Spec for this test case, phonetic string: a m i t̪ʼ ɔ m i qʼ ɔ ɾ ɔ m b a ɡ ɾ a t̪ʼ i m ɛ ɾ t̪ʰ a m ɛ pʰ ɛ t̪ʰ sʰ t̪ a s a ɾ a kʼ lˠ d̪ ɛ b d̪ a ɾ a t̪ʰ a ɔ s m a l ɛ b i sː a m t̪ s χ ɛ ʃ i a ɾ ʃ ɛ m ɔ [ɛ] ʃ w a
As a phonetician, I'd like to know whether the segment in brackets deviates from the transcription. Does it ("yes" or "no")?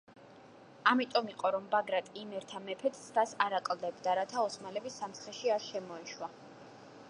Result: no